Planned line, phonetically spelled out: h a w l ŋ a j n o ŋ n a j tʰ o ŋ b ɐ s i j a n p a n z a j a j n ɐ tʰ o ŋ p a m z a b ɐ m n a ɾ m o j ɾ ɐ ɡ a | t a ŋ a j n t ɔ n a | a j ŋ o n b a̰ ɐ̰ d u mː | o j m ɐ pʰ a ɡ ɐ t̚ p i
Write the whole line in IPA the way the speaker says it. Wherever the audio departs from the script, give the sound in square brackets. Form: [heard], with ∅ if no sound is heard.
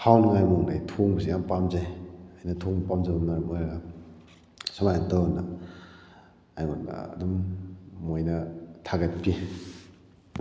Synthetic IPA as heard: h a w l ŋ a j [m] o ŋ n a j tʰ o ŋ b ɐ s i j a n p a [m] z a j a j n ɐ tʰ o ŋ p a m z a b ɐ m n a ɾ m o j ɾ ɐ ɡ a | [s] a [m] a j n t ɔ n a | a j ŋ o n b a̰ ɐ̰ d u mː | o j [n] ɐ [tʰ] a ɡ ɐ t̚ p i